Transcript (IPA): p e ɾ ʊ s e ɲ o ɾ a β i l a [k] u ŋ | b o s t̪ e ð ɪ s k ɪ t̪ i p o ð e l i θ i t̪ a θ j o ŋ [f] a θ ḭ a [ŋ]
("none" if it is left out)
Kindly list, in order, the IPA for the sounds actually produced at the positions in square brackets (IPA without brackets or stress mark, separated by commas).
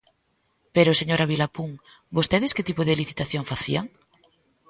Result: p, f, ŋ